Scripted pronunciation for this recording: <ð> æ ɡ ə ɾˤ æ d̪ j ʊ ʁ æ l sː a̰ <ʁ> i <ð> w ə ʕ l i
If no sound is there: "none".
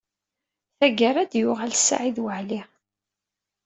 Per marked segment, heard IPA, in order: θ, ʕ, ð

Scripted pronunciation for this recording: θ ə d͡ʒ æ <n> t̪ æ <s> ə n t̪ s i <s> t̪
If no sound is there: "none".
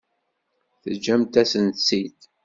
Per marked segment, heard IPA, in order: m, s, none

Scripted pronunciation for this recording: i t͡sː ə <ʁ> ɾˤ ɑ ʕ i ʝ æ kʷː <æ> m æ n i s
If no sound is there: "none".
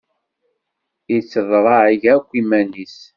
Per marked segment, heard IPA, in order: ð, i

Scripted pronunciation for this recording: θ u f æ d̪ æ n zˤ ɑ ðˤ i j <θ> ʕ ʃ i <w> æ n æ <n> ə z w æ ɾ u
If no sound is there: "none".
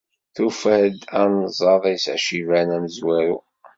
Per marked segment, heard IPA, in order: s, v, m

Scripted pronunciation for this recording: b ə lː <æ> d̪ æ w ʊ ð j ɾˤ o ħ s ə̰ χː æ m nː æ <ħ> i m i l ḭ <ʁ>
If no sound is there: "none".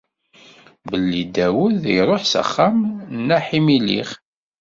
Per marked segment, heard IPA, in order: i, ħ, χ

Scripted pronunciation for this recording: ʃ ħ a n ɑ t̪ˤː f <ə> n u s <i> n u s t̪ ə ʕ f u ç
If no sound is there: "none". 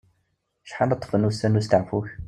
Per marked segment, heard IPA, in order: ə, æ

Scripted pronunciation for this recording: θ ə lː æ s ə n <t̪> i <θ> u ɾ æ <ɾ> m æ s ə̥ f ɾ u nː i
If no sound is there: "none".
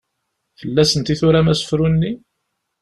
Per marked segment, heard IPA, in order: t̪, θ, none

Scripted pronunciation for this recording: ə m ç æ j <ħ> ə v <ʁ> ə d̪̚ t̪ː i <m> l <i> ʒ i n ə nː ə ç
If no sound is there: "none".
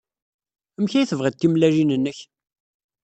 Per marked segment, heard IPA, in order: θ, ʁ, m, æ

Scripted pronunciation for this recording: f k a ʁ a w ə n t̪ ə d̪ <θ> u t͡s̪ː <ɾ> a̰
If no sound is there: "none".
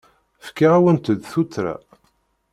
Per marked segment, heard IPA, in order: θ, ɾ

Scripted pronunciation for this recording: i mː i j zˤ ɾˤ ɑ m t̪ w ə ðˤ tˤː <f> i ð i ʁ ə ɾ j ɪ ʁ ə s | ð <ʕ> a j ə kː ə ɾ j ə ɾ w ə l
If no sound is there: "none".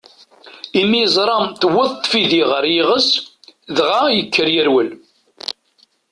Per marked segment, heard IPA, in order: f, ʁ

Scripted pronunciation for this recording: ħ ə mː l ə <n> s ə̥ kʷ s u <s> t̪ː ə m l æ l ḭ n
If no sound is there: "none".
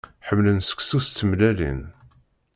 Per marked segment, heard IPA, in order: n, s

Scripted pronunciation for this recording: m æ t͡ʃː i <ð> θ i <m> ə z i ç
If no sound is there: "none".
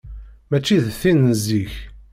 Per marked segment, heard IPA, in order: ð, n

